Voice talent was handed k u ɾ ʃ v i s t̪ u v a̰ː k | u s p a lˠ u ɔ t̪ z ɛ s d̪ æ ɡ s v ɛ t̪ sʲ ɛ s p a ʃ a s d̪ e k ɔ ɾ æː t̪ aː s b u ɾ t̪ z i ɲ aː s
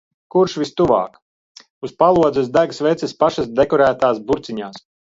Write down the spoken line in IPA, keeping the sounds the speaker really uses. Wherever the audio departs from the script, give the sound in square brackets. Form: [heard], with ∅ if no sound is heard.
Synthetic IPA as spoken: k u ɾ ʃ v i s t̪ u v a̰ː k | u s p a lˠ u ɔ [d̪] z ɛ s d̪ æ ɡ s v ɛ t̪ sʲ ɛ s p a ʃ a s d̪ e k ɔ ɾ æː t̪ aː s b u ɾ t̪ [s] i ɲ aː s